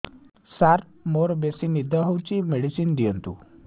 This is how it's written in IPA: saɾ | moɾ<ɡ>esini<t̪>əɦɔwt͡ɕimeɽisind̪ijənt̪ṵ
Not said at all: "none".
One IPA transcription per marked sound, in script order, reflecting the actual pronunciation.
b, d̪

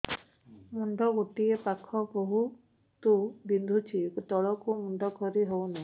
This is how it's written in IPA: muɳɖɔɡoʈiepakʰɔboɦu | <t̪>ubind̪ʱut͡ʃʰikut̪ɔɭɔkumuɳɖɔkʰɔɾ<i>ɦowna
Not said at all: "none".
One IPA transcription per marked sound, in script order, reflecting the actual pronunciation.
t̪, i

